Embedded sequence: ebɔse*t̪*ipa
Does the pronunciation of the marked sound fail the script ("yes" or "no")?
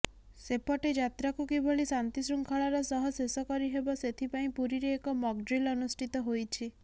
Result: yes